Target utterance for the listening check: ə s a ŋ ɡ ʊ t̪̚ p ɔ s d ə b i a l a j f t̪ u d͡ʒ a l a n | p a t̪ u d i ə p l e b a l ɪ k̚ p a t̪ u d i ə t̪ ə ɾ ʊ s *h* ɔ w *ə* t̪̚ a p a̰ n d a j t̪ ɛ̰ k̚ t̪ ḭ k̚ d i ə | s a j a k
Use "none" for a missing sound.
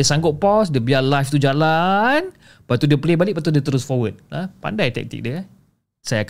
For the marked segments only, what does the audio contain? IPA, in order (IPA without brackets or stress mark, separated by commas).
f, ə